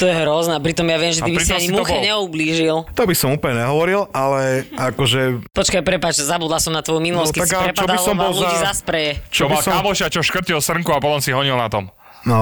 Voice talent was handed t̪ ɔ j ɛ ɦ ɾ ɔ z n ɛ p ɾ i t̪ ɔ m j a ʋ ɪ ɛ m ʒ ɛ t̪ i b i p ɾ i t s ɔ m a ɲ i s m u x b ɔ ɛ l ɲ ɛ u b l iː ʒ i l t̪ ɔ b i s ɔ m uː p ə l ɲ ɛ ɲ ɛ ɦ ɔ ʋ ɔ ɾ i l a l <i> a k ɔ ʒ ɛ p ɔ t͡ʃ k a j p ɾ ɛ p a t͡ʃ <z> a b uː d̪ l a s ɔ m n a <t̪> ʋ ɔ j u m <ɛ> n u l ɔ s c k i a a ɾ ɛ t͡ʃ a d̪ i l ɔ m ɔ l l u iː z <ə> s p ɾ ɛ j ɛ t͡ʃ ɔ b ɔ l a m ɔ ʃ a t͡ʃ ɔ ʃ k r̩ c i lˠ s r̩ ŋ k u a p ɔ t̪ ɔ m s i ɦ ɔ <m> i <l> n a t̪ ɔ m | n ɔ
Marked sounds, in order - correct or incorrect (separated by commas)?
incorrect, correct, correct, incorrect, incorrect, incorrect, correct